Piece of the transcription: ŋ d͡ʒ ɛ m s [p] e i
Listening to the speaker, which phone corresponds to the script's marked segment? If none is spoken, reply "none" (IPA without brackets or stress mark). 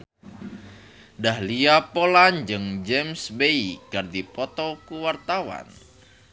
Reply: b